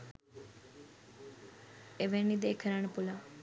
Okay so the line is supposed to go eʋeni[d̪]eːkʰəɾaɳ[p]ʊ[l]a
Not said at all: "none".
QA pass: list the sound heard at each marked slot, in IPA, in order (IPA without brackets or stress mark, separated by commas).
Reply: d̪, p, l